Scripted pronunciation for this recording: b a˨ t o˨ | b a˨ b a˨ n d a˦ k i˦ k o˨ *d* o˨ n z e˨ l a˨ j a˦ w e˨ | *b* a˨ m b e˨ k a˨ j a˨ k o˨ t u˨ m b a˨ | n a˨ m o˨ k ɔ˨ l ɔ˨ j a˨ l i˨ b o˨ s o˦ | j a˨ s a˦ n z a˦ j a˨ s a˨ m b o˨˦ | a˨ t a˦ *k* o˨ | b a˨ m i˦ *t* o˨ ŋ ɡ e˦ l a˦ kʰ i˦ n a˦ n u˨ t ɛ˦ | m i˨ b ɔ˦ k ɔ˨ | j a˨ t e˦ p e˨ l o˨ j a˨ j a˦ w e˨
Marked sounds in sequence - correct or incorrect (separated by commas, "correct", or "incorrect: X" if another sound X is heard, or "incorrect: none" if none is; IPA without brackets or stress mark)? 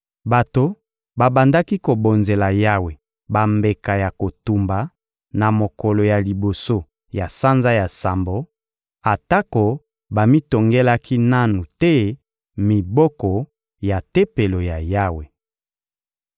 incorrect: b, correct, correct, correct